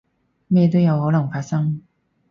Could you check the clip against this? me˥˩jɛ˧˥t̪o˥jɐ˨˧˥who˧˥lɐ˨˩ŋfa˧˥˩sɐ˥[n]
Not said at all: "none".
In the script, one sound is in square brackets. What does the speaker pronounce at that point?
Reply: ŋ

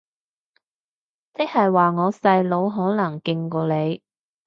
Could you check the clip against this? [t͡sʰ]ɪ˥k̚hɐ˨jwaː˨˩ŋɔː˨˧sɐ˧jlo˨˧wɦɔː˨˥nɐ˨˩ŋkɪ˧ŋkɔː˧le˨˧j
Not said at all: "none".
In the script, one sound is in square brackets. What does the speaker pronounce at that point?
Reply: t͡s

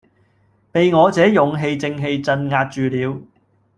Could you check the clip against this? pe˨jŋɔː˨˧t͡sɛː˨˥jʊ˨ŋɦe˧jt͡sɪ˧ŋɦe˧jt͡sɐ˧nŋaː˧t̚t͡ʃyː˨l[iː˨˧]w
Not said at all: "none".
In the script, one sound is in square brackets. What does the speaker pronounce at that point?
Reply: iː˨˧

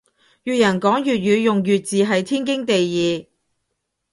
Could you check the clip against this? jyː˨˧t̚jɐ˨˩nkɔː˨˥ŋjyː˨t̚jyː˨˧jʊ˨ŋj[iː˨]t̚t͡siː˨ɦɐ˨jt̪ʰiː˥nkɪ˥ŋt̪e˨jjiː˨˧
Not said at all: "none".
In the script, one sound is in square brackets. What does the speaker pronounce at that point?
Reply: yː˨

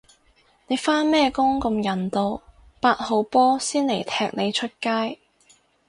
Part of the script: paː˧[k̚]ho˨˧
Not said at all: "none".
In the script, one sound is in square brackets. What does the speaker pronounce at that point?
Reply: t̚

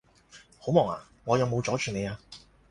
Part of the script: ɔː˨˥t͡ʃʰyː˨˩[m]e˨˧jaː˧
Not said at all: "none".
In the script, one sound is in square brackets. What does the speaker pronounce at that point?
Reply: n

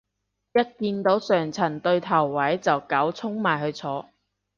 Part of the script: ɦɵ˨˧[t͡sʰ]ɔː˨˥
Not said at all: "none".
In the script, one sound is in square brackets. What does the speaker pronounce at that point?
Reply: t͡sʰ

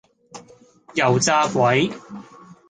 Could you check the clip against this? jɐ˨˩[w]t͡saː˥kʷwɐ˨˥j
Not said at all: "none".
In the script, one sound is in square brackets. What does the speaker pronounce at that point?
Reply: w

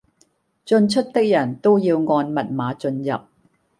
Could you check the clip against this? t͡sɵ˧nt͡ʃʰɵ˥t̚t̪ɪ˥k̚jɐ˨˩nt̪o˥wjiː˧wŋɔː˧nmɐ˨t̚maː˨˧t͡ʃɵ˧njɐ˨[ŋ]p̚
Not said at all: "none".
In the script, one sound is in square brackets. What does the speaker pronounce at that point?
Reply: none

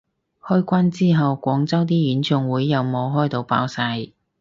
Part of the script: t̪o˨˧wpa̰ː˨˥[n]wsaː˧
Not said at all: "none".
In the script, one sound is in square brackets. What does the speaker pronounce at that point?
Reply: none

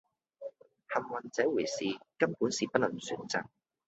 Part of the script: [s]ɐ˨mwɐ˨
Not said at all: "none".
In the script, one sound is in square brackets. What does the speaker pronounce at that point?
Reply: h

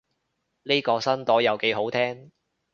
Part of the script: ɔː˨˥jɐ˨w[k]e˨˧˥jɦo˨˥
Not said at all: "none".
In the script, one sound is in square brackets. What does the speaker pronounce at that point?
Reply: k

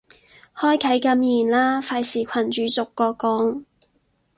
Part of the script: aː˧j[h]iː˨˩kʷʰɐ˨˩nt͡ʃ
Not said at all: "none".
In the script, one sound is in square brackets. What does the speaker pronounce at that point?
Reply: s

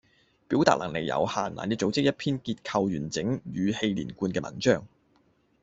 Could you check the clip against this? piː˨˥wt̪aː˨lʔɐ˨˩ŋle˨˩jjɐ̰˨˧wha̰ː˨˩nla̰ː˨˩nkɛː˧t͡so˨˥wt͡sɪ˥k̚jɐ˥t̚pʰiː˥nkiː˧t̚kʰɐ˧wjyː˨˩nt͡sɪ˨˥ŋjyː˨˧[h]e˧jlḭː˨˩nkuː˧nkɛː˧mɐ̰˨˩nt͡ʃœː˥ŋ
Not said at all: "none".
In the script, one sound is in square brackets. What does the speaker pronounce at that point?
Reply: h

